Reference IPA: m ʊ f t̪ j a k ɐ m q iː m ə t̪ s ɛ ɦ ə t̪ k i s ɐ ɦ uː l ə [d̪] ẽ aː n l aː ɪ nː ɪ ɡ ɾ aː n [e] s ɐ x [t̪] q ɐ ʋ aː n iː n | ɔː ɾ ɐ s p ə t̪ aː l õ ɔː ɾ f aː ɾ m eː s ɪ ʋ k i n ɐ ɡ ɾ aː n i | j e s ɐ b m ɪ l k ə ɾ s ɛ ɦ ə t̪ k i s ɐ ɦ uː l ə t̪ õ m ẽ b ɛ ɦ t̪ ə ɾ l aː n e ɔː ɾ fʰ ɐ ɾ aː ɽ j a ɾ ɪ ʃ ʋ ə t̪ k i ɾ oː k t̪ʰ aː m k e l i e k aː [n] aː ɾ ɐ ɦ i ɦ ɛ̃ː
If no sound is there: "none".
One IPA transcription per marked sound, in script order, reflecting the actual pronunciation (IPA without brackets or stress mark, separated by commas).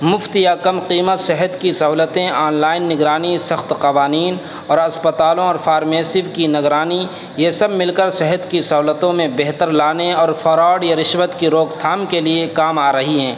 t̪, i, t̪, m